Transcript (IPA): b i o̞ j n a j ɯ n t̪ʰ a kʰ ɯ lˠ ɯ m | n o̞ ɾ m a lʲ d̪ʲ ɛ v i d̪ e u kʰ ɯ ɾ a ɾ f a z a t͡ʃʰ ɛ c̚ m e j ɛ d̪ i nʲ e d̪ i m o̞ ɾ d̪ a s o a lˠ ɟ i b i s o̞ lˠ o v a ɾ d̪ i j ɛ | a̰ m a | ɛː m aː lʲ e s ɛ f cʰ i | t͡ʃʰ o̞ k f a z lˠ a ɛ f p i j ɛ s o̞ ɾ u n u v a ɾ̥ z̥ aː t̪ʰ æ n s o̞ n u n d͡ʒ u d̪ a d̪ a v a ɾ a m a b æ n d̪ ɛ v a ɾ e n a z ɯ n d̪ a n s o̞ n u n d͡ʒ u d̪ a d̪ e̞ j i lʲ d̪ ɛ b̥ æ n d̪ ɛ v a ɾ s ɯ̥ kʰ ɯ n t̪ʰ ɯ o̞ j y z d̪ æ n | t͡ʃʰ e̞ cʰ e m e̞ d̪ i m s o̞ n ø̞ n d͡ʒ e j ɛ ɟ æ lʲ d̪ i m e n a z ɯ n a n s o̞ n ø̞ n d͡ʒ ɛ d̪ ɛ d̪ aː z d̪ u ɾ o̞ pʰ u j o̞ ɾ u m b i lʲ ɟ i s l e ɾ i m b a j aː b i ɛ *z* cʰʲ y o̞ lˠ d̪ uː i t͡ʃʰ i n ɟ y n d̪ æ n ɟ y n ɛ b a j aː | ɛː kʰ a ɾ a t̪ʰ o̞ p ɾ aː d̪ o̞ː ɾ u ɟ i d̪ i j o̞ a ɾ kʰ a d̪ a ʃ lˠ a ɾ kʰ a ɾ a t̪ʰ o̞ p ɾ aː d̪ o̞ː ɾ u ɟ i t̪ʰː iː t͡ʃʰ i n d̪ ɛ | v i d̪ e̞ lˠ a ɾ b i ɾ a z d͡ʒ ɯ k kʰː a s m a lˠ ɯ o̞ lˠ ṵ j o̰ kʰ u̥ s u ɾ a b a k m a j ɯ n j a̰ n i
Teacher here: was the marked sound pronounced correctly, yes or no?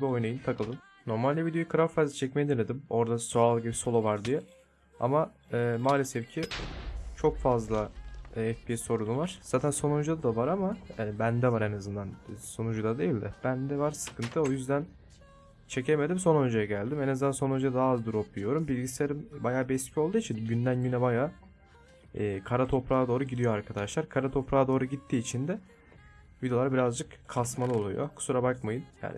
no